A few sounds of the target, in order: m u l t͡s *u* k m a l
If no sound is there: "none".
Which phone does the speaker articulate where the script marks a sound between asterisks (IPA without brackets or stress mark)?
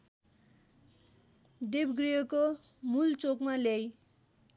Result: o